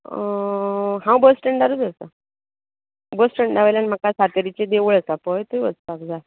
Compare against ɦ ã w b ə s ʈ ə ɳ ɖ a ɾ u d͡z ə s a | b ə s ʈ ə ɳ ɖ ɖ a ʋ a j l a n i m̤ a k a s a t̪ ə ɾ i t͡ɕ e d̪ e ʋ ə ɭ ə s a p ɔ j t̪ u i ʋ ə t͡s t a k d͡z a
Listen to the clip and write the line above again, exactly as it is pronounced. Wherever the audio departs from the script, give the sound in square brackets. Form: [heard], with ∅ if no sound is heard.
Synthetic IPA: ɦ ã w b ə s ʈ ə ɳ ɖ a ɾ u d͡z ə s a | b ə s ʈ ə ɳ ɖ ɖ a ʋ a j l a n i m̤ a k a s a t̪ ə ɾ i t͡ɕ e d̪ e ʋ ə ɭ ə s a p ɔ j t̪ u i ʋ ə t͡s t a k d͡z a